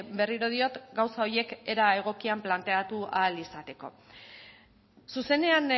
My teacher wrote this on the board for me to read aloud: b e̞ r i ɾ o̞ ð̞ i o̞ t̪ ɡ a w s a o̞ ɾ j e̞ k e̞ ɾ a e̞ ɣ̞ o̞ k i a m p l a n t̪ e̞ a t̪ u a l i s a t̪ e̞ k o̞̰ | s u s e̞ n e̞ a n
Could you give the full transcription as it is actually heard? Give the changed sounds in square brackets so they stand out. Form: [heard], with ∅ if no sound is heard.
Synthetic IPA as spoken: b e̞ r i ɾ o̞ ð̞ i o̞ t̪ ɡ a w s a o̞ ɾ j e̞ k e̞ ɾ a e̞ ɣ̞ o̞ k i a m p l a n t̪ e̞ a t̪ u a l i s a t̪ e̞ k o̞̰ | s u s e̞ n e̞ a n